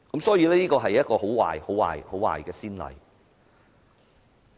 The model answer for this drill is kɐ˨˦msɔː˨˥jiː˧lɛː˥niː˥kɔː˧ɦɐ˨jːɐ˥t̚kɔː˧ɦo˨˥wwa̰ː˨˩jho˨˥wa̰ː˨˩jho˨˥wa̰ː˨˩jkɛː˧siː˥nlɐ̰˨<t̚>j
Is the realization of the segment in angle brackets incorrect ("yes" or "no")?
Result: yes